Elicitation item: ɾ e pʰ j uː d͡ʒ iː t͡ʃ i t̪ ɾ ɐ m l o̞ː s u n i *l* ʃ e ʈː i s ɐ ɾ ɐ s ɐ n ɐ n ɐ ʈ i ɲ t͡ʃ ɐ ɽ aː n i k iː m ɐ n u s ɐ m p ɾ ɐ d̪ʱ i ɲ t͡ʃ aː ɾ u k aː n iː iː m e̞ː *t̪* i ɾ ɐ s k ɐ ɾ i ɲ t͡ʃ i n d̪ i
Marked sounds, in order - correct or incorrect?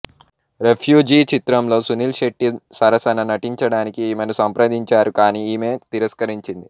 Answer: correct, correct

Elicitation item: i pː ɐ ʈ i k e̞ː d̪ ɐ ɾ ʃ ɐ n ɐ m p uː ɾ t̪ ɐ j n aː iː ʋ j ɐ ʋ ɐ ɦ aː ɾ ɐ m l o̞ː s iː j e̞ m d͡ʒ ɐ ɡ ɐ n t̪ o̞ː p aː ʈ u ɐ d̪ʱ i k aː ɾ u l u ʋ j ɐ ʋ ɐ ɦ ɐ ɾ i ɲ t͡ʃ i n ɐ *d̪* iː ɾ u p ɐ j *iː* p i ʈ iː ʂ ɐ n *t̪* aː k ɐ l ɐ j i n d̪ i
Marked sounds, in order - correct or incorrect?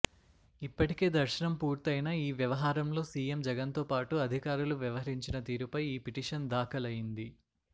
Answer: incorrect, correct, incorrect

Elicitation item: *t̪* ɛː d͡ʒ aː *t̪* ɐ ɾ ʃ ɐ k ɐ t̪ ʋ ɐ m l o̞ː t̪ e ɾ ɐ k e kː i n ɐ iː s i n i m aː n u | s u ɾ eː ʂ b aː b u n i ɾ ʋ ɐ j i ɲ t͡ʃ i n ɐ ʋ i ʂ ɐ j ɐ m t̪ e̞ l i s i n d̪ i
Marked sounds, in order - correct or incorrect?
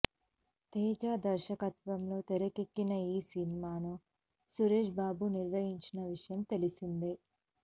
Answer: correct, incorrect

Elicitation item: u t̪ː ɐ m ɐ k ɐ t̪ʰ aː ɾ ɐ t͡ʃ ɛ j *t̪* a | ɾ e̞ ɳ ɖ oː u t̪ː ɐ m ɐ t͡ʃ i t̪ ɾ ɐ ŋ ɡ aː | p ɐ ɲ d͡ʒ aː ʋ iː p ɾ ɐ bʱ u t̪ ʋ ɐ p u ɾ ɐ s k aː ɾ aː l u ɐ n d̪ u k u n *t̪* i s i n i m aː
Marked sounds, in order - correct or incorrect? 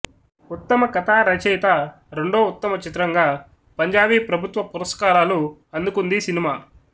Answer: correct, incorrect

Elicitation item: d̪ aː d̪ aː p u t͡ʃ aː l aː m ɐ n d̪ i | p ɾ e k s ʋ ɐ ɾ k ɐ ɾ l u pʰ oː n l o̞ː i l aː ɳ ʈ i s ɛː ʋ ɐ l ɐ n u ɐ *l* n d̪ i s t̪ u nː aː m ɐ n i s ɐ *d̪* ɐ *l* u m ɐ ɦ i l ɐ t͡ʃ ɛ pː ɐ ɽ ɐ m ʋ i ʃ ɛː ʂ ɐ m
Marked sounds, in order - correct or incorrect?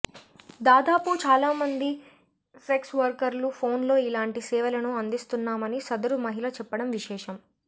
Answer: incorrect, correct, incorrect

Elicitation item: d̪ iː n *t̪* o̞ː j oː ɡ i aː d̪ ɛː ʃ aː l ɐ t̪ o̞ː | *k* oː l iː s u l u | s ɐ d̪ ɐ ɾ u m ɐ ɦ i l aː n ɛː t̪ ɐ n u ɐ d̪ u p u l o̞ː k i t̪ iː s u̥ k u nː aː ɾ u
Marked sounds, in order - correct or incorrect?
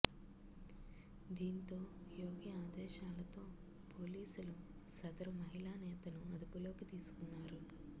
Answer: correct, incorrect

